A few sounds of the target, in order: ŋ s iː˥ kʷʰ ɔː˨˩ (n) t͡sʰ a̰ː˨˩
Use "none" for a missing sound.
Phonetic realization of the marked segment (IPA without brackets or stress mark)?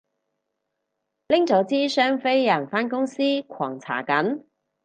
ŋ